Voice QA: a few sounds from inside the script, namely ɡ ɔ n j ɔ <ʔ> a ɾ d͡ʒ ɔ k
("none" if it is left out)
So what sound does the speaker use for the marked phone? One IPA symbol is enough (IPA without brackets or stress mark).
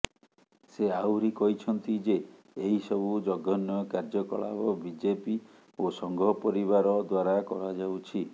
k